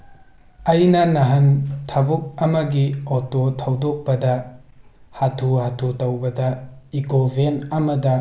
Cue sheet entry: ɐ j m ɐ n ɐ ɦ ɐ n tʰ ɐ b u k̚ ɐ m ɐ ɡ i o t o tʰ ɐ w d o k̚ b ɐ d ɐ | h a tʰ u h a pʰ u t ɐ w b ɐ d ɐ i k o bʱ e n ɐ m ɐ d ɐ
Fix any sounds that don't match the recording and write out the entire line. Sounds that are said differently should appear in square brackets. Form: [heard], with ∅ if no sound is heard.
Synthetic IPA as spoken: ɐ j [n] ɐ n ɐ ɦ ɐ n tʰ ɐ b u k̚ ɐ m ɐ ɡ i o t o tʰ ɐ w d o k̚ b ɐ d ɐ | h a tʰ u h a [tʰ] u t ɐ w b ɐ d ɐ i k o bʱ e n ɐ m ɐ d ɐ